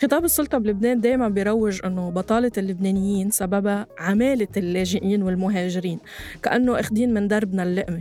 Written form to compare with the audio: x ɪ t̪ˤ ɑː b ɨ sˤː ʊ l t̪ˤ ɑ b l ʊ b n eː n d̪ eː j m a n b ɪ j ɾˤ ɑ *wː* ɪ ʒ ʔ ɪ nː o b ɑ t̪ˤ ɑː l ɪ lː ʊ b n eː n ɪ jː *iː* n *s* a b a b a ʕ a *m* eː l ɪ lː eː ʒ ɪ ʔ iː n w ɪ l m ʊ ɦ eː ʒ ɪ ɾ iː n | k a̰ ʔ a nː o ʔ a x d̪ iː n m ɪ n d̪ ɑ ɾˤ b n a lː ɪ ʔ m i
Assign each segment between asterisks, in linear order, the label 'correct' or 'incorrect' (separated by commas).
correct, correct, correct, correct